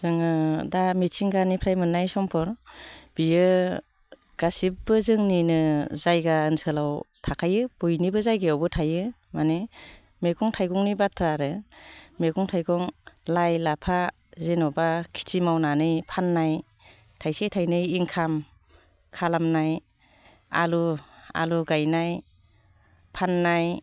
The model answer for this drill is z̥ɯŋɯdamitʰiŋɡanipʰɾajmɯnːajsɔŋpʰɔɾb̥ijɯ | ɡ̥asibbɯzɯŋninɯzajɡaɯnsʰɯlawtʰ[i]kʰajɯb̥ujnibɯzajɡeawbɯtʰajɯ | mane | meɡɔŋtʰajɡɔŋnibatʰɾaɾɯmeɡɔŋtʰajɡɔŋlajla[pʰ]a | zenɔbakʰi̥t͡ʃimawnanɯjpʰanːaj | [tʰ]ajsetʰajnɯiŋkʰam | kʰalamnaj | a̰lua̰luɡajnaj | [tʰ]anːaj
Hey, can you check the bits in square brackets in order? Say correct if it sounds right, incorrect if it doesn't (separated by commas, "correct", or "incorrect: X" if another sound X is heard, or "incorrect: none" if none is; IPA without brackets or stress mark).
incorrect: a, correct, correct, incorrect: pʰ